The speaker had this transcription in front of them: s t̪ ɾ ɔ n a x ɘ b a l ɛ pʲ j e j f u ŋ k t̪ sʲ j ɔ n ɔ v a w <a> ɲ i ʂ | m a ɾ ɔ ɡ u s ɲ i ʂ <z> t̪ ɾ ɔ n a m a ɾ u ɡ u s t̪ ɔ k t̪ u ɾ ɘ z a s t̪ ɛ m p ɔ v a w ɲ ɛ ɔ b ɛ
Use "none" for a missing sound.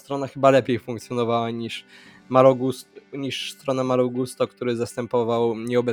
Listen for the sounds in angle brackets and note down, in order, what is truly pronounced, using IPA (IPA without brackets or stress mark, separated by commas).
a, s